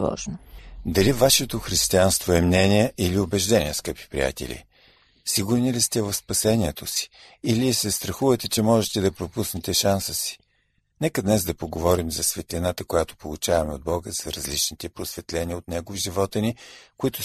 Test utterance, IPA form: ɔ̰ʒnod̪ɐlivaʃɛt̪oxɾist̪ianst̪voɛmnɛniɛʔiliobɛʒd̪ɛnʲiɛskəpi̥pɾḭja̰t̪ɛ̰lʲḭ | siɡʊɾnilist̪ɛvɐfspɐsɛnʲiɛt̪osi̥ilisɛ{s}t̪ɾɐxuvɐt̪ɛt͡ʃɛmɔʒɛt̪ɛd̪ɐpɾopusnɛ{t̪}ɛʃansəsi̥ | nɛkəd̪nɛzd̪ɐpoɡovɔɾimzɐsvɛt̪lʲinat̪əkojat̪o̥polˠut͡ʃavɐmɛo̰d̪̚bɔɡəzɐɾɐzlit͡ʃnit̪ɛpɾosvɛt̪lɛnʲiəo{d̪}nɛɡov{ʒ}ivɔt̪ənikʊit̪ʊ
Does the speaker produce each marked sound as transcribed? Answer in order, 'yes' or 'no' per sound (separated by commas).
yes, yes, no, yes